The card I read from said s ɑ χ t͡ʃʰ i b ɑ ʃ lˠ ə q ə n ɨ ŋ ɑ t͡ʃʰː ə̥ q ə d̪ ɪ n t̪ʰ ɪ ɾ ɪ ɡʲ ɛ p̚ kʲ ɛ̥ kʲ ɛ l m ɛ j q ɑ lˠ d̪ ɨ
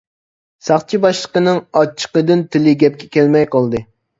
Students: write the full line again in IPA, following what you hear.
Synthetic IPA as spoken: s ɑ χ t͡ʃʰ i b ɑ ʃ lˠ ə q ə n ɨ ŋ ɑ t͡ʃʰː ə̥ q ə d̪ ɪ n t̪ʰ ɪ l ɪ ɡʲ ɛ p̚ kʲ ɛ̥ kʲ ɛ l m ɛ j q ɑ lˠ d̪ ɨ